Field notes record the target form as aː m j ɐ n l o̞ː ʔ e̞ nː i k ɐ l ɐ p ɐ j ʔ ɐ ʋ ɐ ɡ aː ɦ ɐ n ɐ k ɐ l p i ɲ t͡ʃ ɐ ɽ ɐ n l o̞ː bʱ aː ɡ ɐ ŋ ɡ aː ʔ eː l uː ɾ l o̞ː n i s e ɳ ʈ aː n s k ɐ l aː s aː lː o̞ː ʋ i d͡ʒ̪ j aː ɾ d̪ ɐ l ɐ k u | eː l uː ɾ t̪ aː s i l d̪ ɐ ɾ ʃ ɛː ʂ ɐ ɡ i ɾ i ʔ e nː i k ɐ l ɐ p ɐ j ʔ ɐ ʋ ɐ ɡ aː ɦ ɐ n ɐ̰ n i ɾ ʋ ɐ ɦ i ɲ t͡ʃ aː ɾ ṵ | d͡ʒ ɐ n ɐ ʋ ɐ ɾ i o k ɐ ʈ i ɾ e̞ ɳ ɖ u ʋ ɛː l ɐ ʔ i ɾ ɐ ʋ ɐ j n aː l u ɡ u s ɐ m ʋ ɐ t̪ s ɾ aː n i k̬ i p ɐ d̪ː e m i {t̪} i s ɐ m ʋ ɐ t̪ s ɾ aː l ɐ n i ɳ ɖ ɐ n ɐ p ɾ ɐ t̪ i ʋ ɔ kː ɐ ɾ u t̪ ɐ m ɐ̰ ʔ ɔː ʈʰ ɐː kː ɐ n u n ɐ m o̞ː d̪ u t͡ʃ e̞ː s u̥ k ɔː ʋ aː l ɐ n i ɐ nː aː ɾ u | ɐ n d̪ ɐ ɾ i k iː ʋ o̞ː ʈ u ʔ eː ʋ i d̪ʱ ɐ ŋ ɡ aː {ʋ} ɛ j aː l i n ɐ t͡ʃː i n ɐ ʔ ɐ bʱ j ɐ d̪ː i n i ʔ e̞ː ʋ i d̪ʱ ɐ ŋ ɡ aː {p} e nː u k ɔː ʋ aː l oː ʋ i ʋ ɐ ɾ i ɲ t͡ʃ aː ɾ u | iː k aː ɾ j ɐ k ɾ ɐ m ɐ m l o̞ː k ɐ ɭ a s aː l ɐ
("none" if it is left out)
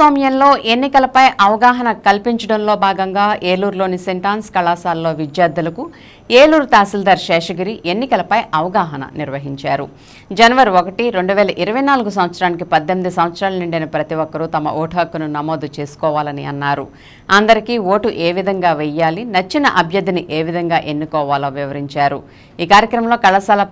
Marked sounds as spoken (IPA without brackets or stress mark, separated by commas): d̪, ʋ, ʔ